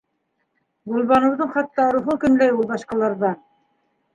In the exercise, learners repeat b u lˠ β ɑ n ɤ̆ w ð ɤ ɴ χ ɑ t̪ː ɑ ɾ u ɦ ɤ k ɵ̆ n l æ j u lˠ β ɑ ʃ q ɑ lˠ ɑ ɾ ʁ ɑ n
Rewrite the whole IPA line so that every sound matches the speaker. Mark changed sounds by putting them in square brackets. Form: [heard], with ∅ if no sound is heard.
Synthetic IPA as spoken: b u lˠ β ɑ n ɤ̆ w ð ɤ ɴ χ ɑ t̪ː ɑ ɾ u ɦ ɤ k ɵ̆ n l æ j u lˠ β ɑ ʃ q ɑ lˠ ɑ ɾ [ð] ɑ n